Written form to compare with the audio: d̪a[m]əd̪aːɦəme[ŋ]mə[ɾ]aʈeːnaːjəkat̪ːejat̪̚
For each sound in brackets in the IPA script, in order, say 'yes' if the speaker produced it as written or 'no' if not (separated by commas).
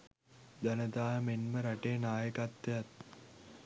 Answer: no, no, yes